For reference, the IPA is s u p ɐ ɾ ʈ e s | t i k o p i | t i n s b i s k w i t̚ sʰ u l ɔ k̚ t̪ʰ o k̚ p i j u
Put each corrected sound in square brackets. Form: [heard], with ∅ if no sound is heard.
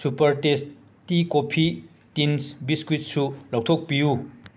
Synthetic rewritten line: s u p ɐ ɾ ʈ e s | t i k o [pʰ] i | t i n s b i s k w i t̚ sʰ u l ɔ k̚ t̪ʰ o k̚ p i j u